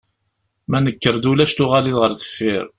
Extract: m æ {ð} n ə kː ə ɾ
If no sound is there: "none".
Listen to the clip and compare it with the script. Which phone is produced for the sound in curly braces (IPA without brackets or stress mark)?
none